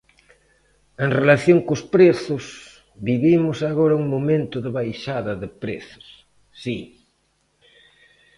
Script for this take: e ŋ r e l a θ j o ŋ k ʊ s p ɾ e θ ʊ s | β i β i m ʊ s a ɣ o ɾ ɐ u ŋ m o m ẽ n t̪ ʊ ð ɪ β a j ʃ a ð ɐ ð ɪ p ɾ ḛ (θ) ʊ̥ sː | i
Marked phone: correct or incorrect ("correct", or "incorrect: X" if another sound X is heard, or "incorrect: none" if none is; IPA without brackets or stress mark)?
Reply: correct